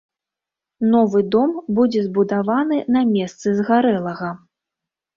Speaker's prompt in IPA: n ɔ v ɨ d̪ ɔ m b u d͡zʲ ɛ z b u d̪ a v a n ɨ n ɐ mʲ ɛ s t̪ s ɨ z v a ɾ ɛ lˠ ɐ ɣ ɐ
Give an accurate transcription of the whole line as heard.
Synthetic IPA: n ɔ v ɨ d̪ ɔ m b u d͡zʲ ɛ z b u d̪ a v a n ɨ n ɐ mʲ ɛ s t̪ s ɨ z ɣ a ɾ ɛ lˠ ɐ ɣ ɐ